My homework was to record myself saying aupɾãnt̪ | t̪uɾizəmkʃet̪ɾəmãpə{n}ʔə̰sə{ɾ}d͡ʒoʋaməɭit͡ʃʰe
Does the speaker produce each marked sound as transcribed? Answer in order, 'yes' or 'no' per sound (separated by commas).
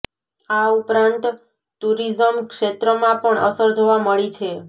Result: no, yes